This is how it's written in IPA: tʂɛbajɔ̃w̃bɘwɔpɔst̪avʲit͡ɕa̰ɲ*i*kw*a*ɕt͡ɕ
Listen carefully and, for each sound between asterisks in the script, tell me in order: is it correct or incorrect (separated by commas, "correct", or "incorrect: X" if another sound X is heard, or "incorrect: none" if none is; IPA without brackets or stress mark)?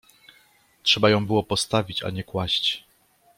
incorrect: ɛ, correct